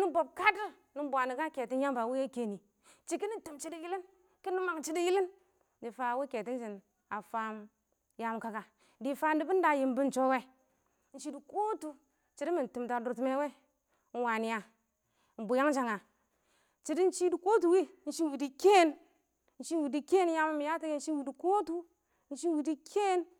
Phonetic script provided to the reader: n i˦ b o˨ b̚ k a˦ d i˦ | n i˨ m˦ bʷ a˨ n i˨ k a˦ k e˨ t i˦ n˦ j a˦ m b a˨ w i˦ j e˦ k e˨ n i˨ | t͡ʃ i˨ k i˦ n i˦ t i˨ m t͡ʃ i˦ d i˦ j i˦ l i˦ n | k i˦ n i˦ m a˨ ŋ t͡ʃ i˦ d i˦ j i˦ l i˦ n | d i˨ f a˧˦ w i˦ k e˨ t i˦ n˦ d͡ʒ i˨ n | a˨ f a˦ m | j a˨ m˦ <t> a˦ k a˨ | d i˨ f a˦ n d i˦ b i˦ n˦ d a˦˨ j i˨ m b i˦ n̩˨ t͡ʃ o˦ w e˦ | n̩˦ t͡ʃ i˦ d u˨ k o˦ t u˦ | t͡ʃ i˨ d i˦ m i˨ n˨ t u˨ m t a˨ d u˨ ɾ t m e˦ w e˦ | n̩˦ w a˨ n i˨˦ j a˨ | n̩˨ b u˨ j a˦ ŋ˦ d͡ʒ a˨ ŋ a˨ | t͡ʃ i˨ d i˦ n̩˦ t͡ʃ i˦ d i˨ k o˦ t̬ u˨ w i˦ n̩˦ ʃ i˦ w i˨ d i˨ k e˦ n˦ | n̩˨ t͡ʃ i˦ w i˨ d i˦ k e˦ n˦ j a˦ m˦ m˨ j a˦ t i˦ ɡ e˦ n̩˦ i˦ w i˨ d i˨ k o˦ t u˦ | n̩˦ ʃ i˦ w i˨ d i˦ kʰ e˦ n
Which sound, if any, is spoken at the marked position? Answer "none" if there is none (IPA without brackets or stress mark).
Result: k